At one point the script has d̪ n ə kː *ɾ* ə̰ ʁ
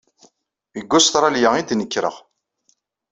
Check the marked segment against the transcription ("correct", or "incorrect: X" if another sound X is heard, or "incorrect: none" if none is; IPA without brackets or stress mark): correct